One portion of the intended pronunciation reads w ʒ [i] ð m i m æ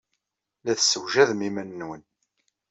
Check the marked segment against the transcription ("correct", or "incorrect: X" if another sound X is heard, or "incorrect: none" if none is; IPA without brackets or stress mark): incorrect: æ